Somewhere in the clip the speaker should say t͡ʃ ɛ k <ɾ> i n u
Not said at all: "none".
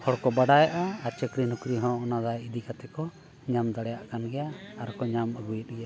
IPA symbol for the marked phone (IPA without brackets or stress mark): ɾ